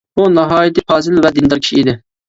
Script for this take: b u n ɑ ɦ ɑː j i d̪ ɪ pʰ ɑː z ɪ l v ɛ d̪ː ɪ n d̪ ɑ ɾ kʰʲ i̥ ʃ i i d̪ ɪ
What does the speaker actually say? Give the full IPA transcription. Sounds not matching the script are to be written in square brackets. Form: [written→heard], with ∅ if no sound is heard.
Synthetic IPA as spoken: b u n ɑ ɦ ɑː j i [d̪→t̪] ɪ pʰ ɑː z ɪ l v ɛ [d̪ː→d̪] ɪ n d̪ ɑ ɾ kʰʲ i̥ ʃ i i d̪ ɪ